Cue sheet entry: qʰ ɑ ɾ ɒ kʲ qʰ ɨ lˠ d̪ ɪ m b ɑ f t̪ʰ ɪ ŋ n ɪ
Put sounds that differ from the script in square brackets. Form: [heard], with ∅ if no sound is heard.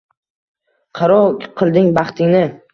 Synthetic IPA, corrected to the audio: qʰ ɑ ɾ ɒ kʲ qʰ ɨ lˠ d̪ ɪ [ŋ] b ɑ [χ] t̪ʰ ɪ ŋ n ɪ

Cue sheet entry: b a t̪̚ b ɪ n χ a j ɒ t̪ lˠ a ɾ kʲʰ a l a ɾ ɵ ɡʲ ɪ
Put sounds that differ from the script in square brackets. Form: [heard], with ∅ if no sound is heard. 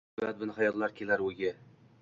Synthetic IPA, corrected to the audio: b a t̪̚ b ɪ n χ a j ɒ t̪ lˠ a ɾ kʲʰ [e] l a ɾ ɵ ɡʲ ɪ

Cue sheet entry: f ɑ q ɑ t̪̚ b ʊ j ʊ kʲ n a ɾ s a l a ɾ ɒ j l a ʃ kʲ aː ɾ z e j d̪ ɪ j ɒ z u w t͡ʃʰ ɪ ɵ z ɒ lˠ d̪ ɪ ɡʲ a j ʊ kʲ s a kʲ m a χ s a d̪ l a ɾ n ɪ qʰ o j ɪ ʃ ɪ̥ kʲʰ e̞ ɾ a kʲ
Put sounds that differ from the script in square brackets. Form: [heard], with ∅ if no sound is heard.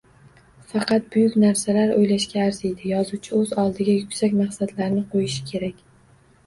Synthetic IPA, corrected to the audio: f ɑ q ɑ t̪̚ b ʊ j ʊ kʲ n a ɾ s a l a ɾ [o] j l a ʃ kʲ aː ɾ z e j d̪ ɪ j ɒ z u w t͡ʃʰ ɪ ɵ z ɒ lˠ d̪ ɪ ɡʲ a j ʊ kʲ s a kʲ m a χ s a d̪ l a ɾ n ɪ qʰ o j ɪ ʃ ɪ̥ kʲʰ e̞ ɾ a kʲ

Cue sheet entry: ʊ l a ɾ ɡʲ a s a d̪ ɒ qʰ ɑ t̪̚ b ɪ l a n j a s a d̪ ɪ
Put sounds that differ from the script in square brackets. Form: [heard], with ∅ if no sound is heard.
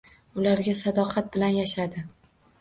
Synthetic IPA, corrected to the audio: ʊ l a ɾ ɡʲ a s a d̪ ɒ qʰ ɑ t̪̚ b ɪ l a n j a [ʃ] a d̪ ɪ

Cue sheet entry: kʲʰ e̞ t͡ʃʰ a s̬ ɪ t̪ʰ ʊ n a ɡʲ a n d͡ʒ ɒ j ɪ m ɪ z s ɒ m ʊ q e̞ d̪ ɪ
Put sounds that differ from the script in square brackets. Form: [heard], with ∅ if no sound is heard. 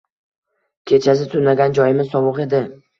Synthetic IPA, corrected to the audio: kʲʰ e̞ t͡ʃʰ a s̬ ɪ t̪ʰ ʊ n a ɡʲ a n d͡ʒ ɒ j ɪ m ɪ z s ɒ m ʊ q e̞ d̪ ɪ

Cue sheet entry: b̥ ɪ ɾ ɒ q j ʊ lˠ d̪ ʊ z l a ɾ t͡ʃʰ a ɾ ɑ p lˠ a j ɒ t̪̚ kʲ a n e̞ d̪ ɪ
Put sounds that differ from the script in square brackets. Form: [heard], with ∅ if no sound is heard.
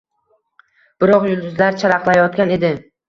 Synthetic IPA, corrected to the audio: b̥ ɪ ɾ ɒ q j ʊ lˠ d̪ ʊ z l a ɾ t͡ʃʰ a ɾ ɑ [q] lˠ a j ɒ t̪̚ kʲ a n e̞ d̪ ɪ

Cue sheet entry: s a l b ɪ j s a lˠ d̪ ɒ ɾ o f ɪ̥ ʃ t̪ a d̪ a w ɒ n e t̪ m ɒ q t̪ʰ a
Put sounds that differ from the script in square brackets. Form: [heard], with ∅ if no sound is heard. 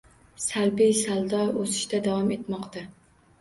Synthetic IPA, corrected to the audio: s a l b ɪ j s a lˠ d̪ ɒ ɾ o [s] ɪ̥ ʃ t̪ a d̪ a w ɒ [m] e t̪ m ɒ q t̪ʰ a

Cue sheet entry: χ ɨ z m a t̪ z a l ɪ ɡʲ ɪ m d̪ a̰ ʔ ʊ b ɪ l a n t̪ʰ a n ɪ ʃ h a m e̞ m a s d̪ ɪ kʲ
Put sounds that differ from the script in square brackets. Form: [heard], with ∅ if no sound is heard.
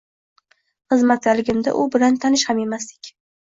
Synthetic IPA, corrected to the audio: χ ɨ z m a t̪ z a l ɪ ɡʲ ɪ m d̪ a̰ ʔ ʊ b ɪ l a n t̪ʰ a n ɪ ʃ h a m e̞ m a s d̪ ɪ kʲ

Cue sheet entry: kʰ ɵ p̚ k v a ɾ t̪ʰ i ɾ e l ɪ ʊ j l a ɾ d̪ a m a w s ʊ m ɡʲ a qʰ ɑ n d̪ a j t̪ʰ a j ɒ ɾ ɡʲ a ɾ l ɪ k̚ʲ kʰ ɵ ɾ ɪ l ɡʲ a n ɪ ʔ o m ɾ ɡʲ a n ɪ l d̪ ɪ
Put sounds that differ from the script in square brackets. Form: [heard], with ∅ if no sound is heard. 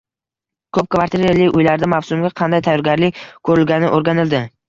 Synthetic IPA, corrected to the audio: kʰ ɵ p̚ k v a ɾ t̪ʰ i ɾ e l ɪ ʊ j l a ɾ d̪ a m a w s ʊ m ɡʲ a qʰ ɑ n d̪ a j t̪ʰ a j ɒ ɾ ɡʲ a ɾ l ɪ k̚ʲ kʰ ɵ ɾ ɪ l ɡʲ a n ɪ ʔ o [∅] ɾ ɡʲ a n ɪ l d̪ ɪ

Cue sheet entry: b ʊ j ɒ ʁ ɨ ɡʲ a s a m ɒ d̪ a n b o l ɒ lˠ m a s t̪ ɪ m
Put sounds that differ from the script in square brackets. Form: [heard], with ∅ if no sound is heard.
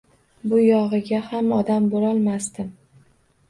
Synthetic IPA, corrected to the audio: b ʊ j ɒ ʁ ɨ ɡʲ a [h] a m ɒ d̪ a [m] b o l ɒ lˠ m a s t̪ ɪ m

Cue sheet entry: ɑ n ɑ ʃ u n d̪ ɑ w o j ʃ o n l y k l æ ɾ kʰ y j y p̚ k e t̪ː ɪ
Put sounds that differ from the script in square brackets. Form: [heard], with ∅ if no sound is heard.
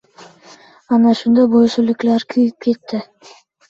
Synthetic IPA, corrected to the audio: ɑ n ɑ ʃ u n d̪ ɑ [b] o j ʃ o [∅] l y k l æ ɾ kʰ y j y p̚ k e t̪ː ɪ

